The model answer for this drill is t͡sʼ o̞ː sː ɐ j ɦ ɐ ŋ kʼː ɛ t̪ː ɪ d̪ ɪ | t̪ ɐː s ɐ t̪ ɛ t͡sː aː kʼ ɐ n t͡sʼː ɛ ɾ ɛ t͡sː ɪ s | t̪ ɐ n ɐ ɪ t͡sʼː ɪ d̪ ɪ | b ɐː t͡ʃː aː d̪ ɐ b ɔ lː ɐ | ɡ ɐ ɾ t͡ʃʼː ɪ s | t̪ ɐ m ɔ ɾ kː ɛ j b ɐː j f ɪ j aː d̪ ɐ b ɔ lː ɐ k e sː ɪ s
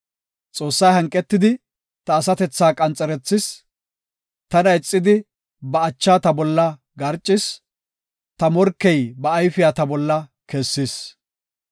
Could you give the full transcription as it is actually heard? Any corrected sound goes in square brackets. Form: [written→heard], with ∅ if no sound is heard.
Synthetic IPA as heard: t͡sʼ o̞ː sː ɐ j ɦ ɐ ŋ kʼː ɛ t̪ː ɪ d̪ ɪ | t̪ ɐː s ɐ t̪ ɛ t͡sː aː kʼ ɐ n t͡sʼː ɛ ɾ ɛ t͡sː ɪ s | t̪ ɐ n ɐ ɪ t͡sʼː ɪ d̪ ɪ | b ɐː t͡ʃː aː [d̪→t̪] ɐ b ɔ lː ɐ | ɡ ɐ ɾ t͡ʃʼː ɪ s | t̪ ɐ m ɔ ɾ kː ɛ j b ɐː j f ɪ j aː [d̪→t̪] ɐ b ɔ lː ɐ k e sː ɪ s